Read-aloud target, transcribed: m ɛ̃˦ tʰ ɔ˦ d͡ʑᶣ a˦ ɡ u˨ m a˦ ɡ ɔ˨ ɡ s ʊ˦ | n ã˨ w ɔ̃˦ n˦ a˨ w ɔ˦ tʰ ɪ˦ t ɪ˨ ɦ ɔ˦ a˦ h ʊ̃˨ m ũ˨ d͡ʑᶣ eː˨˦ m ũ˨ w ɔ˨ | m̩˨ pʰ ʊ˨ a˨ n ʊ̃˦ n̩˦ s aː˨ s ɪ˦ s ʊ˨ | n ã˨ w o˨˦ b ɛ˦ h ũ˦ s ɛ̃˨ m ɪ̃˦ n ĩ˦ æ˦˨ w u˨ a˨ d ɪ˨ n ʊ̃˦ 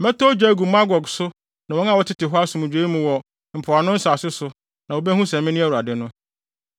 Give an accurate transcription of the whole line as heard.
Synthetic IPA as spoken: m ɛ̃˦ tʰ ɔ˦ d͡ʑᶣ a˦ ɡ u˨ m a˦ ɡ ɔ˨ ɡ s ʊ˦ | n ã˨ w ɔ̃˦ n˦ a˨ w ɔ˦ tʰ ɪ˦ t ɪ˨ ɦ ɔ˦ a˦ s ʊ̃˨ m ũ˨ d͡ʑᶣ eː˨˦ m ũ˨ w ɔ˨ | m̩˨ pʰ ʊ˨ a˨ n ʊ̃˦ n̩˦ s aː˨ s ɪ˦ s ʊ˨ | n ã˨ w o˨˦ b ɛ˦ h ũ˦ s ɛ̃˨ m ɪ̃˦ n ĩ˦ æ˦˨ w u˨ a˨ d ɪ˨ n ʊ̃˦

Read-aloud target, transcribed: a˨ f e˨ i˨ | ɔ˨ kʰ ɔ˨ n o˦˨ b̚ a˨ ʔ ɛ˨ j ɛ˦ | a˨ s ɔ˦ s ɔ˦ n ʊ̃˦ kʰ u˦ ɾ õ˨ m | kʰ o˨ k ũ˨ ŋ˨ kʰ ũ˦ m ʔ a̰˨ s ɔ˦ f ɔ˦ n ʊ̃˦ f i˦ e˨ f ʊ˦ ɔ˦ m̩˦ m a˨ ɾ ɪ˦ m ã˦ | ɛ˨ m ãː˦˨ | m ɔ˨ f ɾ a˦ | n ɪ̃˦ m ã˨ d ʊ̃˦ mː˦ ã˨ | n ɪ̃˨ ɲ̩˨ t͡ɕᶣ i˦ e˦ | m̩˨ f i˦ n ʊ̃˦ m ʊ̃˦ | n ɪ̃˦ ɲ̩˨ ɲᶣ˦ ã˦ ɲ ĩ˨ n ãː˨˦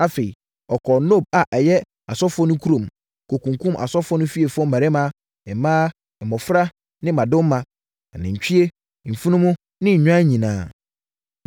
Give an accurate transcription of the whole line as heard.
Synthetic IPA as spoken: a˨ f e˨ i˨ | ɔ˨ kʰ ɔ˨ n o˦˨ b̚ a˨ ʔ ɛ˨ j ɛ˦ | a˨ s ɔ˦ f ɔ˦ n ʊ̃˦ kʰ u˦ ɾ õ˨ m | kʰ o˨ k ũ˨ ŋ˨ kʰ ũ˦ m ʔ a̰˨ s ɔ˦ f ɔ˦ n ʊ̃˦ f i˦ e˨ f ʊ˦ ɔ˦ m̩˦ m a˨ ɾ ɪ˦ m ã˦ | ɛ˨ m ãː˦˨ | m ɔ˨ f ɾ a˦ | n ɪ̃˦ m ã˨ d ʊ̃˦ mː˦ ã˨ | n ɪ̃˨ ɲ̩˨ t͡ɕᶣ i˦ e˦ | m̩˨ f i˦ n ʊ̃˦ m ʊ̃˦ | n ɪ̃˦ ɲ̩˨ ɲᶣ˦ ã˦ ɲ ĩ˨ n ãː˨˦

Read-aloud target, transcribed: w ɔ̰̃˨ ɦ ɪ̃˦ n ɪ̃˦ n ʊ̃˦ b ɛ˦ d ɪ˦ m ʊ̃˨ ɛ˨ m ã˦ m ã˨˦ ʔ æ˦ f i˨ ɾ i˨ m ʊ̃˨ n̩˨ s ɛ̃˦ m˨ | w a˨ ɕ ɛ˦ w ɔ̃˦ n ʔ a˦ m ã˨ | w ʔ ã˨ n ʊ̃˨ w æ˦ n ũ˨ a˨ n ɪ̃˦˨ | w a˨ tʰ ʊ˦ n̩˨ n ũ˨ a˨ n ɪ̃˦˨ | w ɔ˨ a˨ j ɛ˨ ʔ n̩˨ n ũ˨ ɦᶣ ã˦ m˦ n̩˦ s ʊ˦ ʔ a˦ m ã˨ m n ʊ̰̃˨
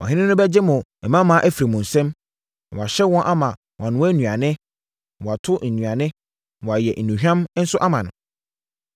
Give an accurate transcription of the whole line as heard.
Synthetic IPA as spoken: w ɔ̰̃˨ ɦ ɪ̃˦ n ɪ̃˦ n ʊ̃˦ b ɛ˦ d͡ʑ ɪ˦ m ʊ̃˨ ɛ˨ m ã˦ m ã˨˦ ʔ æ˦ f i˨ ɾ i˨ m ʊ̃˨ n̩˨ s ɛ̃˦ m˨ | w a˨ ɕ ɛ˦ w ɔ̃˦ n ʔ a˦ m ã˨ | w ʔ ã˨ n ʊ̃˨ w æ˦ n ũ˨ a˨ n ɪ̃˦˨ | w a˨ tʰ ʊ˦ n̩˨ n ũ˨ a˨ n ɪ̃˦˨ | w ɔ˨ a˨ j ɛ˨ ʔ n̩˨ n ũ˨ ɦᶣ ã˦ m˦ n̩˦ s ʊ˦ ʔ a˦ m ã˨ n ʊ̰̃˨

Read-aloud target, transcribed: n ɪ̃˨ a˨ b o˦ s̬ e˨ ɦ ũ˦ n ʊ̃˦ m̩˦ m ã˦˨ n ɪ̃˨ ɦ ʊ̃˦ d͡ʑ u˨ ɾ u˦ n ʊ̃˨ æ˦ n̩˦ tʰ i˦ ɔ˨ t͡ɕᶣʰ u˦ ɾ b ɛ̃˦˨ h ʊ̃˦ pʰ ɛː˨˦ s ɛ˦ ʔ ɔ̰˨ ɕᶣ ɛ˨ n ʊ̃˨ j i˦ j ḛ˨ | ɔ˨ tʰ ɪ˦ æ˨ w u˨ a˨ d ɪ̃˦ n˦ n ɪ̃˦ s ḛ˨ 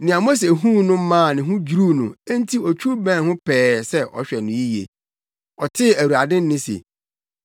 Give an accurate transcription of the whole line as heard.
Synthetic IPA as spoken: n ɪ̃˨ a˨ m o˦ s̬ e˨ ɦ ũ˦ n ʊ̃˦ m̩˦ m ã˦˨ n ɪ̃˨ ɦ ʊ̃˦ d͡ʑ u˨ ɾ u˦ n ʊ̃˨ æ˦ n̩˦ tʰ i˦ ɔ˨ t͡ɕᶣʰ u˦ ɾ b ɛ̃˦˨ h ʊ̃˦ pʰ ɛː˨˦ s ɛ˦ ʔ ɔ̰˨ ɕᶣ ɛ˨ n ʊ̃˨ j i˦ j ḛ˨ | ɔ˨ tʰ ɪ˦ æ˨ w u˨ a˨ d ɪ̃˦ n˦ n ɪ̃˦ s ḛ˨

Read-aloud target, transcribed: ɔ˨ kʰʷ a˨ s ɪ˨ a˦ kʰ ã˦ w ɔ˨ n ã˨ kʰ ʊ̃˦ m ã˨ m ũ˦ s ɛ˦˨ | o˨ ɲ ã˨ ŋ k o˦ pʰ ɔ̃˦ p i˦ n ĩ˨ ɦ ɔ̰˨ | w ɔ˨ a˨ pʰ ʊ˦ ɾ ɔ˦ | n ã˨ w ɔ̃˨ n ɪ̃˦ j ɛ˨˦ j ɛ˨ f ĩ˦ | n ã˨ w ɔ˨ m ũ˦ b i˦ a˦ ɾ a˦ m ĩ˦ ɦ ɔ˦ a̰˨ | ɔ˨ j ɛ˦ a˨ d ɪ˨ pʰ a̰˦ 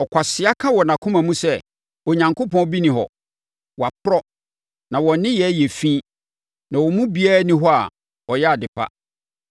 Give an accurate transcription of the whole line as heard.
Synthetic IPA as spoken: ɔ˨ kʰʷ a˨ s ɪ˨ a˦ kʰ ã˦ w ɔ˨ n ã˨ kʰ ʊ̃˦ m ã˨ m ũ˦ s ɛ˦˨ | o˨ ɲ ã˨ ŋ k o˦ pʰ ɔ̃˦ b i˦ n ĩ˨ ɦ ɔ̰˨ | w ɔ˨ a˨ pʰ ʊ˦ ɾ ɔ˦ | n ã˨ w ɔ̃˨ n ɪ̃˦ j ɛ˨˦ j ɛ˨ f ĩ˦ | n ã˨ w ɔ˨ m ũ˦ b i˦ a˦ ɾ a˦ n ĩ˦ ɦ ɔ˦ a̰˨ | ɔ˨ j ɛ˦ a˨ d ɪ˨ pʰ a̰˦

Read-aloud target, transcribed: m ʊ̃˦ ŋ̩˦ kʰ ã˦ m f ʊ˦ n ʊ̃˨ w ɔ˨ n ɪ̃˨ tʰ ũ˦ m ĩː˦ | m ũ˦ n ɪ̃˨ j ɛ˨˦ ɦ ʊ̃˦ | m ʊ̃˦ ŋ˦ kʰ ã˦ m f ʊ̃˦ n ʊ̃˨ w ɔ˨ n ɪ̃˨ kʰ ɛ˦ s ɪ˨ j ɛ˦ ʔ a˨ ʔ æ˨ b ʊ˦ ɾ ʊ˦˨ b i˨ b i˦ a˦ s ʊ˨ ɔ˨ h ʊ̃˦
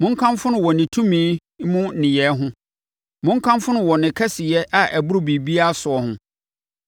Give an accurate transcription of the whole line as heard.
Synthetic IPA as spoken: m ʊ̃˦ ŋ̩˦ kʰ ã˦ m f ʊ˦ n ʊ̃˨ w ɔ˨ n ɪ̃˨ tʰ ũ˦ m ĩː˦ | m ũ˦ n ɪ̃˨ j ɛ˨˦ ɦ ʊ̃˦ | m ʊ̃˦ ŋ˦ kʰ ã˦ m f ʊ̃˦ n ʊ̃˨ w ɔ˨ n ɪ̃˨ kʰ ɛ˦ s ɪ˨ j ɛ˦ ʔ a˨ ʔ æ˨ b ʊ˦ ɾ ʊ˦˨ b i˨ b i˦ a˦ s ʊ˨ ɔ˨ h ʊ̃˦

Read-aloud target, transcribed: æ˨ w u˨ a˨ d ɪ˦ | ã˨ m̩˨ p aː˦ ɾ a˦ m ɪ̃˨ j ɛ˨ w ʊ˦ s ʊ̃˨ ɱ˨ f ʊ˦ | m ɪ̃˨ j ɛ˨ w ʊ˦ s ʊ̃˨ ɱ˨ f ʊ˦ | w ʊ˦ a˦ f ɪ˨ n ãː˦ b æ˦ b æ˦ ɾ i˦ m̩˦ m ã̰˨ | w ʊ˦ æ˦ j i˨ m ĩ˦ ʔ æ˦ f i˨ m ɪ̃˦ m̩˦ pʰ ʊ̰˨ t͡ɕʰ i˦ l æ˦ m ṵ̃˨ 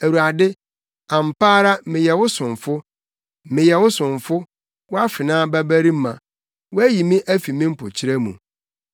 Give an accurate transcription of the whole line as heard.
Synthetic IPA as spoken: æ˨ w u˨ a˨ d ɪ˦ | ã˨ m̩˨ p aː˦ ɾ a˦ m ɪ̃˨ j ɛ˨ w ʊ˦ s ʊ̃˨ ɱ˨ f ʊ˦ | m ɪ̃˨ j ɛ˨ w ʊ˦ s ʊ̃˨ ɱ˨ f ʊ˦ | w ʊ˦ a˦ f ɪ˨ n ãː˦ b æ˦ b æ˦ ɾ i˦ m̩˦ m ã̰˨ | w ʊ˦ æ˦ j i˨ m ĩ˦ ʔ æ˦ f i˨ m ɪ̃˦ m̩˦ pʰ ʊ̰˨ t͡ɕʰ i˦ ɾ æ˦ m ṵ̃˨

